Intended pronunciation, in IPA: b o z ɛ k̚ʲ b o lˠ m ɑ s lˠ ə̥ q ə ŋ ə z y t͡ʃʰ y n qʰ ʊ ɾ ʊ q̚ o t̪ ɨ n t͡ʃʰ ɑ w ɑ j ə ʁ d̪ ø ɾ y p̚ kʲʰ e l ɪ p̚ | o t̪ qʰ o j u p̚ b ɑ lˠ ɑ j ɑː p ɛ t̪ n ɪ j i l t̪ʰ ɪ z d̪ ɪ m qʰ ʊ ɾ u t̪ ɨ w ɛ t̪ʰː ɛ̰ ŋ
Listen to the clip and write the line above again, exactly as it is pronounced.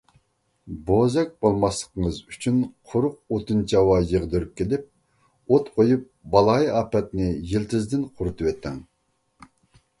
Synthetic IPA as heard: b o z ɛ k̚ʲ b o lˠ m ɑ s lˠ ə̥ q ə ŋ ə z y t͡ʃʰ y n qʰ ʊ ɾ ʊ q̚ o t̪ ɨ n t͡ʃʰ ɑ w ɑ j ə ʁ d̪ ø ɾ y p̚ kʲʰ e l ɪ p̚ | o t̪ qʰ o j u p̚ b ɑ lˠ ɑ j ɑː p ɛ t̪ n ɪ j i l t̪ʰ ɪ z d̪ ɪ n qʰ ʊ ɾ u t̪ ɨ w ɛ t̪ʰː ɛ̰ ŋ